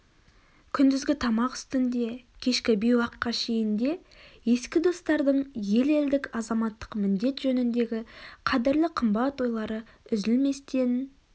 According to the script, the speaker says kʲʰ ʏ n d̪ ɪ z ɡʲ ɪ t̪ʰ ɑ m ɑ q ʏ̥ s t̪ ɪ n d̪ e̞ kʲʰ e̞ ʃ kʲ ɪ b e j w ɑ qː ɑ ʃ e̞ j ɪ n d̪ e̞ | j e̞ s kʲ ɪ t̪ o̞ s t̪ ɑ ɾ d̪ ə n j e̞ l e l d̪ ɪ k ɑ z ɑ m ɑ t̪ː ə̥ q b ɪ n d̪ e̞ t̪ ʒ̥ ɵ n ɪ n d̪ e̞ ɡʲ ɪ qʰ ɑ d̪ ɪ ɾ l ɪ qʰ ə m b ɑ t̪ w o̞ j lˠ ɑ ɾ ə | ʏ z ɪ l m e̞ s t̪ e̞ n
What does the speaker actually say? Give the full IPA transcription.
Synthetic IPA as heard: kʲʰ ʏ n d̪ ɪ z ɡʲ ɪ t̪ʰ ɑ m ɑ q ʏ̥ s t̪ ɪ n d̪ e̞ kʲʰ e̞ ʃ kʲ ɪ b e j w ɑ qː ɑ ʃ e̞ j ɪ n d̪ e̞ | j e̞ s kʲ ɪ d̪ o̞ s t̪ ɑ ɾ d̪ ə ɴ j e̞ l e l d̪ ɪ k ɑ z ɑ m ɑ t̪ː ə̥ q m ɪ n d̪ e̞ t̪ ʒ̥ ɵ n ɪ n d̪ e̞ ɡʲ ɪ qʰ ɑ d̪ ɪ ɾ l ɪ qʰ ə m b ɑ t̪ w o̞ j lˠ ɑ ɾ ə | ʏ z ɪ l m e̞ s t̪ e̞ n